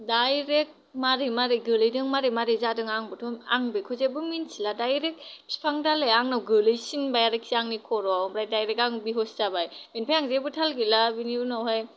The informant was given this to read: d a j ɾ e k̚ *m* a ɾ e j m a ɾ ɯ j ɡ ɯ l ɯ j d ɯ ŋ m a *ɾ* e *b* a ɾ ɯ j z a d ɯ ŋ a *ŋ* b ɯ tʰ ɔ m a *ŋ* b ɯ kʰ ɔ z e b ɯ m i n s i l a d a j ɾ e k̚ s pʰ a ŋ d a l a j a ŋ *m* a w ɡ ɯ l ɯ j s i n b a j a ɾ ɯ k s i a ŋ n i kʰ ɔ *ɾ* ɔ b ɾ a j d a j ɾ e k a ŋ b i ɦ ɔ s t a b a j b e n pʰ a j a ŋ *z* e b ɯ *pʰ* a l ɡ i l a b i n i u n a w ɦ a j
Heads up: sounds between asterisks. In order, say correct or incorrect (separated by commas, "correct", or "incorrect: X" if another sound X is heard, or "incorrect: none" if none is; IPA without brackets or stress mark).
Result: correct, correct, incorrect: m, correct, correct, incorrect: n, correct, correct, incorrect: tʰ